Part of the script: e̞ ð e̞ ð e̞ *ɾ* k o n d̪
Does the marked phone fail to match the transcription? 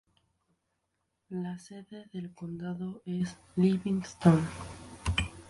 yes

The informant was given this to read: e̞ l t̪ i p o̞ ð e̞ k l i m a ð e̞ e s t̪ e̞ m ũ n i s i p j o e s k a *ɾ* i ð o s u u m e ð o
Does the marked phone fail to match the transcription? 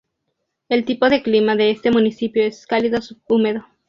yes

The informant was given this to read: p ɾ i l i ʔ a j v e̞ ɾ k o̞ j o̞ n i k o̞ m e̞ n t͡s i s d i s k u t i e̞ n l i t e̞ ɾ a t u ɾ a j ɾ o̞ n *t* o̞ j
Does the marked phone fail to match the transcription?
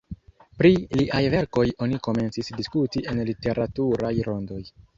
yes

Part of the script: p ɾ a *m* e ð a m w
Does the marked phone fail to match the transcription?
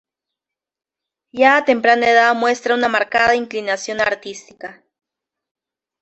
yes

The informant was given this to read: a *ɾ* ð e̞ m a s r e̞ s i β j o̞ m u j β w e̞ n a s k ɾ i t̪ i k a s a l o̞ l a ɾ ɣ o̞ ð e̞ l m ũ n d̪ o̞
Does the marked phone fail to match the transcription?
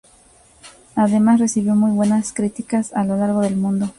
yes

